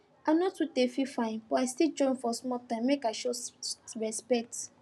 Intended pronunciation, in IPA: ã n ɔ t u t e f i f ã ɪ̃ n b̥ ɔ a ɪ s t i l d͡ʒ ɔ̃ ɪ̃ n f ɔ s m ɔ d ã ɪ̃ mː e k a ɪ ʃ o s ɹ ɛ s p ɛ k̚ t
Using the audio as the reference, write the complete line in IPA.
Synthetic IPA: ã n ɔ t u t e f i f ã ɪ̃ n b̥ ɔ a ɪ s t i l d͡ʒ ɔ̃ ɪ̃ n f ɔ s m ɔ t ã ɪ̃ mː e k a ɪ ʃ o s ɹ ɛ s p ɛ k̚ t